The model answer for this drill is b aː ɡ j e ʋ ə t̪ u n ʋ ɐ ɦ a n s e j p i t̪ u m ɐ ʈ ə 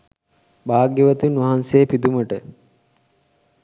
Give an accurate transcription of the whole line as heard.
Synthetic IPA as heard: b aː ɡ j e ʋ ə t̪ u n ʋ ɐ ɦ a n s e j p i d̪ u m ə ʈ ə